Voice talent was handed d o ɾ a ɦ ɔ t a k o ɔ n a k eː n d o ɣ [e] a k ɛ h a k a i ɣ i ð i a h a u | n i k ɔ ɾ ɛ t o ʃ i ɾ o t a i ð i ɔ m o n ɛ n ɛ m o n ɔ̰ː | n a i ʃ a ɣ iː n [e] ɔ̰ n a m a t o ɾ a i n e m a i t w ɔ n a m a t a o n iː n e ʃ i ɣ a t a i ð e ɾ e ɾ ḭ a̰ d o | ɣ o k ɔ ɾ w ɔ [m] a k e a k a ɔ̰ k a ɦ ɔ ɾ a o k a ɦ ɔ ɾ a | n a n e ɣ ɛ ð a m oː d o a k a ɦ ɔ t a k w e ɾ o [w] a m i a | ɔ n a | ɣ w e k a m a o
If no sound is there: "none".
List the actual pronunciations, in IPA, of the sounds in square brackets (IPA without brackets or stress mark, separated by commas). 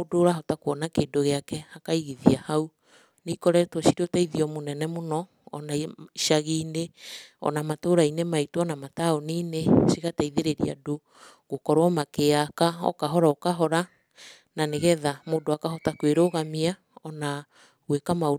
e, e, m, ɣ